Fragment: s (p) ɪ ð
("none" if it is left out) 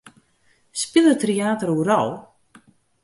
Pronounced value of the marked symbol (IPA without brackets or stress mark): p